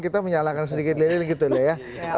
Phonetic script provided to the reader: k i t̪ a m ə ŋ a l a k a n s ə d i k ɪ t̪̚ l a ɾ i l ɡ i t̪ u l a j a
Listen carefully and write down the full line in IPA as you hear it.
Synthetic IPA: k i t̪ a m ə ɲ a l a k a n s ə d i k ɪ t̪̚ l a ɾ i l ɡ i t̪ u l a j a